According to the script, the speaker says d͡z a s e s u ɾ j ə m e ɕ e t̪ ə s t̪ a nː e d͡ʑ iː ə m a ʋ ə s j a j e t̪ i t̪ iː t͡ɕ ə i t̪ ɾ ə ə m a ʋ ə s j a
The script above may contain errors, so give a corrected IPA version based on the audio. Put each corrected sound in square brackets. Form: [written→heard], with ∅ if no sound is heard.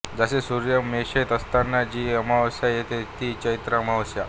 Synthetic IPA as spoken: d͡z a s e s u ɾ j ə m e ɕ e t̪ ə s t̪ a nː [e→a] d͡ʑ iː ə m a ʋ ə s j a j e t̪ [i→e] t̪ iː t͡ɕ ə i t̪ ɾ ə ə m a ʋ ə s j a